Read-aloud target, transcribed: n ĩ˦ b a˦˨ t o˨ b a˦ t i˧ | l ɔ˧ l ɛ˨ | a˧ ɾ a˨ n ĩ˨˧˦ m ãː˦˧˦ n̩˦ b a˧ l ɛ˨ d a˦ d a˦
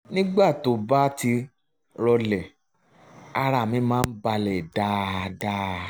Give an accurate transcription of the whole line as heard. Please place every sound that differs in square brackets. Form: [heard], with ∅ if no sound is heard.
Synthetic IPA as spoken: n ĩ˦ [ɡ͡b] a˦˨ t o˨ b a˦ t i˧ | [ɾ] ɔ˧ l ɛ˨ | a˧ ɾ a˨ [m] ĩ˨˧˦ m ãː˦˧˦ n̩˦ b a˧ l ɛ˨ d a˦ d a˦